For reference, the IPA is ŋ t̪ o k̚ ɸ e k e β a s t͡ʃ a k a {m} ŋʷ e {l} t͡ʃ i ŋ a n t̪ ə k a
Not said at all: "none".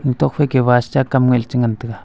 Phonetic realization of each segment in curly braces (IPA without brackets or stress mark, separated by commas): m, l